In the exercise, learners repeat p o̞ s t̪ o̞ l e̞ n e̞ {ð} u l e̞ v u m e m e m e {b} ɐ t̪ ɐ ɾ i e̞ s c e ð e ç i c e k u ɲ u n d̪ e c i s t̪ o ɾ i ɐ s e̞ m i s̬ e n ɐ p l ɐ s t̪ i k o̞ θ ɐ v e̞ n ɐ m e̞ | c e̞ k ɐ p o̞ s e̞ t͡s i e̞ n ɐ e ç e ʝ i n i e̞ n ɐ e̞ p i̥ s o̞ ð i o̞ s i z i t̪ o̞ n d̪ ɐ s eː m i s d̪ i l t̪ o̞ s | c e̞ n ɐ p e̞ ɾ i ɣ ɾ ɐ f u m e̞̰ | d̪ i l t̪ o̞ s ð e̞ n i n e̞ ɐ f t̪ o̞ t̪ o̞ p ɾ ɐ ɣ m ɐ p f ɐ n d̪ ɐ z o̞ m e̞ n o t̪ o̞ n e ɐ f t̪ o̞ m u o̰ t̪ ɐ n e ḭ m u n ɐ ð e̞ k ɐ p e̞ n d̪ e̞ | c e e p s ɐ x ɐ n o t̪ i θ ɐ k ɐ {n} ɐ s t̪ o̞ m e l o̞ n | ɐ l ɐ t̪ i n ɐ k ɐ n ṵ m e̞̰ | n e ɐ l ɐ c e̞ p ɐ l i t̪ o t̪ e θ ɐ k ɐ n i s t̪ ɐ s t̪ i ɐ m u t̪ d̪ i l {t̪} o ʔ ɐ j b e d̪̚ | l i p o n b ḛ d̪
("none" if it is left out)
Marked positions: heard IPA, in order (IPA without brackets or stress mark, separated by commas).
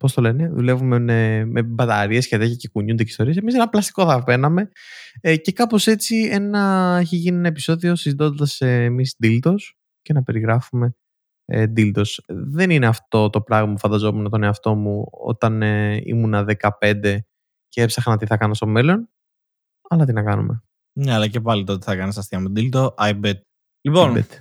ð, b, n, t̪